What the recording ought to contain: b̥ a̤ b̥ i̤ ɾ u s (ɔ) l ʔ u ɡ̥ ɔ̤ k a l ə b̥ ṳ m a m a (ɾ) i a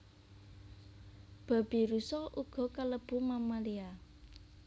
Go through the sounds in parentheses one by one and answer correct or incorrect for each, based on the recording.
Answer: correct, incorrect: l

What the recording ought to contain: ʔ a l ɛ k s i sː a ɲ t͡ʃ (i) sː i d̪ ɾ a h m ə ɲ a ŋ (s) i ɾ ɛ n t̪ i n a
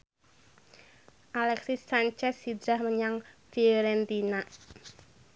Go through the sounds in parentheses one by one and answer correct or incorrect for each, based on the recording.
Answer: incorrect: ɛ, incorrect: f

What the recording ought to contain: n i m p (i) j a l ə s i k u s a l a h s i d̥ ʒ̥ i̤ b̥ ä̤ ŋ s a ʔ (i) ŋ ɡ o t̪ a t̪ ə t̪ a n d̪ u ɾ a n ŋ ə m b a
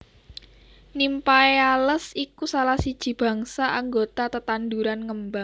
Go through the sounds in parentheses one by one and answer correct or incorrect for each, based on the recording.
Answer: incorrect: a, incorrect: a

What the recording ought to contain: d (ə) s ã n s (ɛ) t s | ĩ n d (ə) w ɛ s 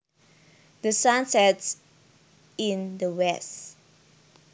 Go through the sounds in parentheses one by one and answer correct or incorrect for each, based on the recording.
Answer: correct, correct, correct

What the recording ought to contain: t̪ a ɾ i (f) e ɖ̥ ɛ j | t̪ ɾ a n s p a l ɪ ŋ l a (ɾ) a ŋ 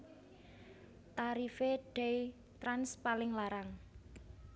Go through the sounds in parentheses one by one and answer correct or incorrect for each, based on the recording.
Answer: correct, correct

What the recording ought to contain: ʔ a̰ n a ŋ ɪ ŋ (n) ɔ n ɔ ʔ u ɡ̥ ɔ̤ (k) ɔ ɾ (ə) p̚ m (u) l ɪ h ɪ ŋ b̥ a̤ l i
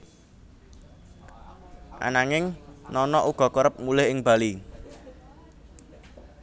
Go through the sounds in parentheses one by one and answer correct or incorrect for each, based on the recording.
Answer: correct, correct, correct, correct

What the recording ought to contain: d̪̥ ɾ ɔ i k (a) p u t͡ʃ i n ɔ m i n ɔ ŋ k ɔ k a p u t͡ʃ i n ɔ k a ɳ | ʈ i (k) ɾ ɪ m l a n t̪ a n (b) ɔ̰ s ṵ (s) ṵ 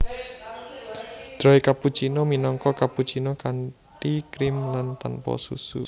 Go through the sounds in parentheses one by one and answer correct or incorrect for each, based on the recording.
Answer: correct, correct, incorrect: p, correct

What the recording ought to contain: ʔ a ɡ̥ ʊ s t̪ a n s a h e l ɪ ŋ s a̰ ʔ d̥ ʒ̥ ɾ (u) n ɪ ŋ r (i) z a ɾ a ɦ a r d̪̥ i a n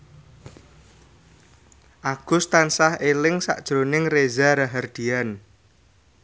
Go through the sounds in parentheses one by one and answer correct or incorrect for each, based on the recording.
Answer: incorrect: o, incorrect: e

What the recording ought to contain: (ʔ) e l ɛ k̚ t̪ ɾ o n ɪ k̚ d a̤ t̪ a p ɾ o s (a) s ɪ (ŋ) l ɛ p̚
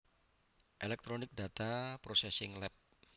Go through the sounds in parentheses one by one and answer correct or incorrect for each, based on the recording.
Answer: correct, incorrect: ɛ, correct

